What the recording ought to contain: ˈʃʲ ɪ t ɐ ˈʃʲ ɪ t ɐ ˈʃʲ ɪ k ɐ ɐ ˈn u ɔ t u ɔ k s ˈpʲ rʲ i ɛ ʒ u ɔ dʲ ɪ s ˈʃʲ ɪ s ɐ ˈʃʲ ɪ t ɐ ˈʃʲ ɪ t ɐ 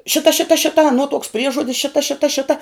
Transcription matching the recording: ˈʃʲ ɪ t ɐ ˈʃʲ ɪ t ɐ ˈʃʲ ɪ t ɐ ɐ ˈn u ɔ t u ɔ k s ˈpʲ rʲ i ɛ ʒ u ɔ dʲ ɪ s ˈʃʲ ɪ t ɐ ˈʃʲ ɪ t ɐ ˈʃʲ ɪ t ɐ